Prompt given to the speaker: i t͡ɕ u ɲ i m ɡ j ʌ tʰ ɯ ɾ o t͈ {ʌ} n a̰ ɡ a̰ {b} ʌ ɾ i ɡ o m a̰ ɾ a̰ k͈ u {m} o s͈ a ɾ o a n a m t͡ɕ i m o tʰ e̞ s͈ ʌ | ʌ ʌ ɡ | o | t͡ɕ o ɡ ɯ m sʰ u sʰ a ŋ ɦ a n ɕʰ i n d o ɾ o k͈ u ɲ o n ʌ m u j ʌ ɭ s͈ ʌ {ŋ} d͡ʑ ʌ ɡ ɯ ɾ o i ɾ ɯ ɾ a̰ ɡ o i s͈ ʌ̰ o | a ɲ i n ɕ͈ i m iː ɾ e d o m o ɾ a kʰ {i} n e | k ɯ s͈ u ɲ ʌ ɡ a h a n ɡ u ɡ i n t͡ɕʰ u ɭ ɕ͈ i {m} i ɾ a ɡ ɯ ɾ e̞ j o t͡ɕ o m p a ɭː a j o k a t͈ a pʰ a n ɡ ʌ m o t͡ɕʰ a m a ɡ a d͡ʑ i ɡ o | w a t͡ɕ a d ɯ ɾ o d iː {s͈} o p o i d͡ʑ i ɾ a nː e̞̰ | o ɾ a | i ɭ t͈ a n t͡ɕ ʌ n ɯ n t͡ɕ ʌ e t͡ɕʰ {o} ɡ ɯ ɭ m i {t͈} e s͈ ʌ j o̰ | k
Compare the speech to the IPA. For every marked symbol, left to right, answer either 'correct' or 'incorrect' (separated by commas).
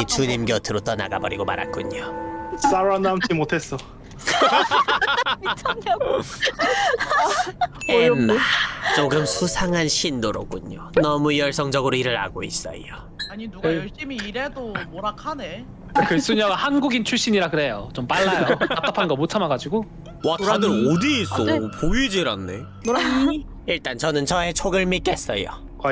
correct, correct, incorrect, correct, incorrect, incorrect, correct, correct, incorrect